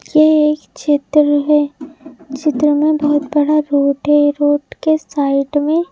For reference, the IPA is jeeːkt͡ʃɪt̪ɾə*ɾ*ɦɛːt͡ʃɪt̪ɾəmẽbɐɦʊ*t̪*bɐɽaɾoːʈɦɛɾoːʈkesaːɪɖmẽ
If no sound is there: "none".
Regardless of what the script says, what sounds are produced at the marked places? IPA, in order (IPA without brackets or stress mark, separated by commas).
none, t̪